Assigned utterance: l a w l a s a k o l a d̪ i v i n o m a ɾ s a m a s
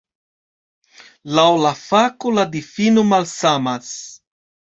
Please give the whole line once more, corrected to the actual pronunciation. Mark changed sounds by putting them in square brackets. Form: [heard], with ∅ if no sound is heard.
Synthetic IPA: l a w l a [f] a k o l a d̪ i [f] i n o m a [l] s a m a s